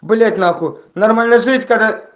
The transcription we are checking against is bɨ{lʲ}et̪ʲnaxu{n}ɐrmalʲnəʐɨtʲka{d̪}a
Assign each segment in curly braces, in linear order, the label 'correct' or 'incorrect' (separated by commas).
correct, correct, correct